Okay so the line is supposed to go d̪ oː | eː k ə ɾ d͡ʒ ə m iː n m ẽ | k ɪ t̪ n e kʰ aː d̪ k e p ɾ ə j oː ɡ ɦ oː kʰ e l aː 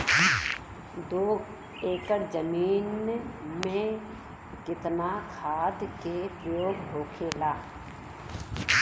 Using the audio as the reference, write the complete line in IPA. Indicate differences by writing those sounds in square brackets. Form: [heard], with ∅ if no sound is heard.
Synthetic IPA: d̪ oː | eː k ə ɾ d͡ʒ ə m iː n m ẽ | k ɪ t̪ n [a] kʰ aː d̪ k e p ɾ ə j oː ɡ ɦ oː kʰ e l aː